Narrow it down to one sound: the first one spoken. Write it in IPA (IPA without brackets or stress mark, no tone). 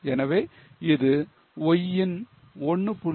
ɛ